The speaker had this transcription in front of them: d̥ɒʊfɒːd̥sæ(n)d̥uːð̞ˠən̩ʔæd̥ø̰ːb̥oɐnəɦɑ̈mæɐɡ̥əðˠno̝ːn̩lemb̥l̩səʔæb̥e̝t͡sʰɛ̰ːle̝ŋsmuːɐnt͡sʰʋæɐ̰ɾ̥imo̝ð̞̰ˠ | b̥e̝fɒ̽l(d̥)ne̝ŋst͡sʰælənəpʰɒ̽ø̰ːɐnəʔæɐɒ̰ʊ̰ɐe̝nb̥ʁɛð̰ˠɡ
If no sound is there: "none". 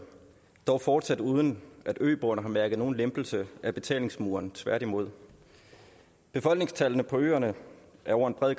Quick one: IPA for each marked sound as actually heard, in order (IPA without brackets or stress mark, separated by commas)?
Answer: none, ɡ̥